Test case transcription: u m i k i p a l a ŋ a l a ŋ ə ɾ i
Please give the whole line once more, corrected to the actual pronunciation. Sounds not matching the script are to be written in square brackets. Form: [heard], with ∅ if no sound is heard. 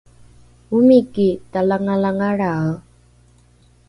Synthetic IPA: u m i k i [t] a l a ŋ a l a ŋ [a] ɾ [a]